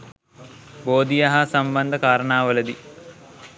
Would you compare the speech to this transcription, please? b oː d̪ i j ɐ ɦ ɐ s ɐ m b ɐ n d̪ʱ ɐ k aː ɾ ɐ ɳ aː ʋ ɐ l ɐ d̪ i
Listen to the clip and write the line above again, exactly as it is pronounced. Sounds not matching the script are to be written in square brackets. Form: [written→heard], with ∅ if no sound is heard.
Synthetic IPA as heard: b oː d̪ i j ɐ ɦ ɐ s ɐ m b ɐ n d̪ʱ ɐ k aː ɾ ɐ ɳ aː ʋ ɐ l ɐ d̪ i